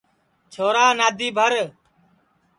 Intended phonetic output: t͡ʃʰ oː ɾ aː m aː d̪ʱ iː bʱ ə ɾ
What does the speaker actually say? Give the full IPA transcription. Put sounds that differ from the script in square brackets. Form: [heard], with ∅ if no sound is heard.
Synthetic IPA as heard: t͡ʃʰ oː ɾ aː [n] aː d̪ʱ iː bʱ ə ɾ